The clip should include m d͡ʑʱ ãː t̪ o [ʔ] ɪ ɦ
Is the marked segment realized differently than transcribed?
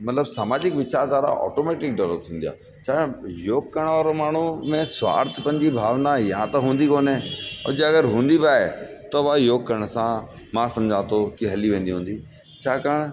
yes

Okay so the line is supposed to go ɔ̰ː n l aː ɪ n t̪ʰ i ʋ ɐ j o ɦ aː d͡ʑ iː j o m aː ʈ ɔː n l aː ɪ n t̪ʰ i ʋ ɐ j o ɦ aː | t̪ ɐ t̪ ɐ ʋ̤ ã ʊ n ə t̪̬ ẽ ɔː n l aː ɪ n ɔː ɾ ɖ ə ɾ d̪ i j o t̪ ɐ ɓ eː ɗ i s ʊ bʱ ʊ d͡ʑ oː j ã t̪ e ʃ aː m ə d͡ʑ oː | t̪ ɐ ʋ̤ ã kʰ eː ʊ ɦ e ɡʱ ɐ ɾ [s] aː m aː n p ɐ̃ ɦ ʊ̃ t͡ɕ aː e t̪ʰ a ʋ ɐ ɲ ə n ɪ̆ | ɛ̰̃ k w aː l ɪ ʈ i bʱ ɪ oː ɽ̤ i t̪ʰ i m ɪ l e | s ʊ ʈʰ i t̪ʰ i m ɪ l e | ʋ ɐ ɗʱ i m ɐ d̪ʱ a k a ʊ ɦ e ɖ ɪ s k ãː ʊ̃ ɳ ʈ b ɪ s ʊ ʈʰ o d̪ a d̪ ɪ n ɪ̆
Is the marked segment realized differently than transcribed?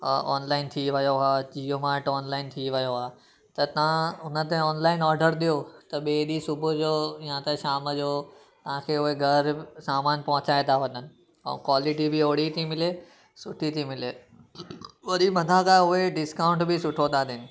no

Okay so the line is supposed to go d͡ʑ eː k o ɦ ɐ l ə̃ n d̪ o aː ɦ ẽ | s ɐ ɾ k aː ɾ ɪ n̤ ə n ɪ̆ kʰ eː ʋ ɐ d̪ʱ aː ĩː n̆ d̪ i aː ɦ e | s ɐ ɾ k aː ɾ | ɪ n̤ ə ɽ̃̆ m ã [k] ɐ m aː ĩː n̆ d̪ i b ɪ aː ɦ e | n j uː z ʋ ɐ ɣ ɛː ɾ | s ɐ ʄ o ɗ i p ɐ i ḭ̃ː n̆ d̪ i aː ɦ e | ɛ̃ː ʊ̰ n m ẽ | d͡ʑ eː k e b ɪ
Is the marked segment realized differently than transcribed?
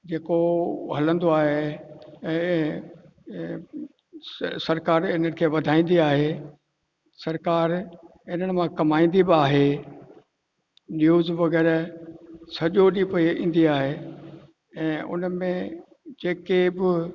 no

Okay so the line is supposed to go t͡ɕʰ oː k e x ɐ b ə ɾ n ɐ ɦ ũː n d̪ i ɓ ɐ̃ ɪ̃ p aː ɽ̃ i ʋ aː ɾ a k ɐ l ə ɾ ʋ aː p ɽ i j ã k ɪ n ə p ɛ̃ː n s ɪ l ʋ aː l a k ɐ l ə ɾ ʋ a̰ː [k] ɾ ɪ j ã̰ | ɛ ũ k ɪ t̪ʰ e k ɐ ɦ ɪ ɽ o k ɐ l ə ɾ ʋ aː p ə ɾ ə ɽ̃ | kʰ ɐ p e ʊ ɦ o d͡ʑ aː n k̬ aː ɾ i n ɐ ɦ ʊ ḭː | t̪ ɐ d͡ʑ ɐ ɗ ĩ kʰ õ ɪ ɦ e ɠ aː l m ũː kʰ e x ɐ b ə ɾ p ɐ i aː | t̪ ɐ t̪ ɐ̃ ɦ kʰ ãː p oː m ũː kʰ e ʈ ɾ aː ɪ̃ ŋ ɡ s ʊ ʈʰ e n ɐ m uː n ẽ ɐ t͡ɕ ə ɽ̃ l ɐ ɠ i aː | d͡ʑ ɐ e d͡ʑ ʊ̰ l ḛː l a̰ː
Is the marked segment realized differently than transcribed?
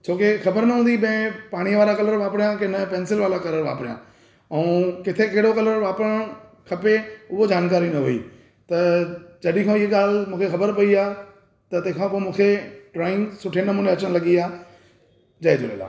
yes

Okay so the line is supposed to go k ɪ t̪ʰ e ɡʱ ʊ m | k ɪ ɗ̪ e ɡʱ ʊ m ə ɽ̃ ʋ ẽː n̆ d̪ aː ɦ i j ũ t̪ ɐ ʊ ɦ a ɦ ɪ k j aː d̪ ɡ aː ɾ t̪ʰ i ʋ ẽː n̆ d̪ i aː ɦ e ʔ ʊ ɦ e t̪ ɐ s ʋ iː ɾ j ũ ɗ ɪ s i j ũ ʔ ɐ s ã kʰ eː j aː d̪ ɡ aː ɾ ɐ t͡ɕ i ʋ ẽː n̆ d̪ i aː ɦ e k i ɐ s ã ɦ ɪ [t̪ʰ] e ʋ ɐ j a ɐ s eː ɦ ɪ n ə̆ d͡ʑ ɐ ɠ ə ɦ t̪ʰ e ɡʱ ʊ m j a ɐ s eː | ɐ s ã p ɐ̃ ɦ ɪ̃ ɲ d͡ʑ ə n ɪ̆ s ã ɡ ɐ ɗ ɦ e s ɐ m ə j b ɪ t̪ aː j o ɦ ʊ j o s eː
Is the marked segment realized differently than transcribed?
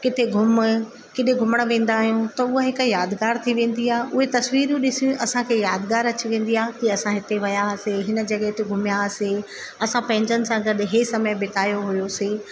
yes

